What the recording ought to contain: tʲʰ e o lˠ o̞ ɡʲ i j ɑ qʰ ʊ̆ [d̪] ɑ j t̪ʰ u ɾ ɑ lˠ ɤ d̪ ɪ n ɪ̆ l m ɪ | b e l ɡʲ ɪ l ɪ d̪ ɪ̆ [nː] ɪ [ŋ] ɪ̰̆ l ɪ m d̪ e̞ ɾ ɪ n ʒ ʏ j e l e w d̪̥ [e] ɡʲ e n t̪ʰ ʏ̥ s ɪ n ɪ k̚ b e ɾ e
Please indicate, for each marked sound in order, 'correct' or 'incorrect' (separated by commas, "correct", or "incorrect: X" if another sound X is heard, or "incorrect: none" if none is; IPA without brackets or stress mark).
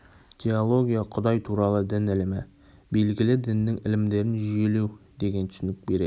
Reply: correct, correct, correct, correct